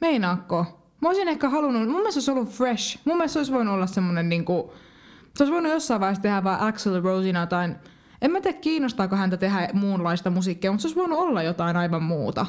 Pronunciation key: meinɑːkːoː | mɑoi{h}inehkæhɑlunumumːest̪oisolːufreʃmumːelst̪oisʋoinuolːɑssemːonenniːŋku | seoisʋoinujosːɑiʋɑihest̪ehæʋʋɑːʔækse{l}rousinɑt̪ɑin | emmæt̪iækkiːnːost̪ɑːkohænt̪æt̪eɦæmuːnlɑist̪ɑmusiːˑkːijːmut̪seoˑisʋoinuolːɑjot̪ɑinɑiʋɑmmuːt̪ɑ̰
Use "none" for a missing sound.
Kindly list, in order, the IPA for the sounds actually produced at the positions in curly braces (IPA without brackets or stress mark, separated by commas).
s, l